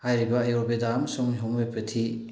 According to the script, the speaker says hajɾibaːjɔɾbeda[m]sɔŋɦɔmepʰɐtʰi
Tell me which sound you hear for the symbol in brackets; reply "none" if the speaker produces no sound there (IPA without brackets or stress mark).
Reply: m